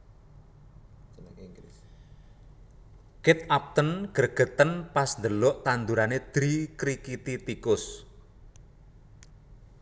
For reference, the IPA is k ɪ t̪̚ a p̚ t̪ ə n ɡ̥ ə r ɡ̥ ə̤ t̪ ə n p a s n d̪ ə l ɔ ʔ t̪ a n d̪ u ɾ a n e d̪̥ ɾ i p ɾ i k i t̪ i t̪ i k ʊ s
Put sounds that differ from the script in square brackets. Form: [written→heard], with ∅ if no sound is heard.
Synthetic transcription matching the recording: k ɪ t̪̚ a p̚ t̪ ə n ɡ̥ ə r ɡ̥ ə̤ t̪ ə n p a s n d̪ ə l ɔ ʔ t̪ a n d̪ u ɾ a n e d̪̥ ɾ i [p→k] ɾ i k i t̪ i t̪ i k ʊ s